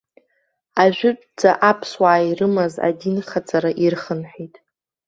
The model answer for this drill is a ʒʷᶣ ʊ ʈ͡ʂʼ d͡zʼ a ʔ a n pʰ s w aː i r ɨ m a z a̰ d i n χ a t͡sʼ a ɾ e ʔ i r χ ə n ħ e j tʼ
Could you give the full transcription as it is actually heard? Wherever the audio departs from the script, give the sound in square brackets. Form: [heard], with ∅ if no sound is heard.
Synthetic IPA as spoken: a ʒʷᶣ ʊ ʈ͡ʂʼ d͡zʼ a ʔ a [∅] pʰ s w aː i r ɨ m a z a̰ d i n χ a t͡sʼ a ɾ [a] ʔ i r χ ə n ħ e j tʼ